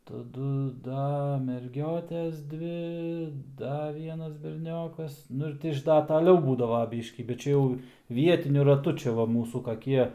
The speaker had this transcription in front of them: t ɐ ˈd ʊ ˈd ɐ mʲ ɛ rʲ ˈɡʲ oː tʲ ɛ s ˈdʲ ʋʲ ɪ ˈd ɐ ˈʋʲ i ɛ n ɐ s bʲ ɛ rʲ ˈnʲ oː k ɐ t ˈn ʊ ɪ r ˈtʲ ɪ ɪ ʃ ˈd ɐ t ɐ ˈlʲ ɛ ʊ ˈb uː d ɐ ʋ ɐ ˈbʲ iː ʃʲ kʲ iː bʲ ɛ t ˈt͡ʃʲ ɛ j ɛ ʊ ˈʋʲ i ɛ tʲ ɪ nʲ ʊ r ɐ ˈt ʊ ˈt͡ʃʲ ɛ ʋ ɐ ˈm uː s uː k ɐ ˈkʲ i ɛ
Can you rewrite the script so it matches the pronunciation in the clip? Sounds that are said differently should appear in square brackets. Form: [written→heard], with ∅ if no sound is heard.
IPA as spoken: t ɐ ˈd ʊ ˈd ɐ mʲ ɛ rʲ ˈɡʲ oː tʲ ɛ s ˈdʲ ʋʲ ɪ ˈd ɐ ˈʋʲ i ɛ n ɐ s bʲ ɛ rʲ ˈnʲ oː k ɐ [t→s] ˈn ʊ ɪ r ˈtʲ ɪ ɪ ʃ ˈd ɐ t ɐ ˈlʲ ɛ ʊ ˈb uː d ɐ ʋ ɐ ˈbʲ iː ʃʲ kʲ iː bʲ ɛ t ˈt͡ʃʲ ɛ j ɛ ʊ ˈʋʲ i ɛ tʲ ɪ nʲ ʊ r ɐ ˈt ʊ ˈt͡ʃʲ ɛ ʋ ɐ ˈm uː s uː k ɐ ˈkʲ i ɛ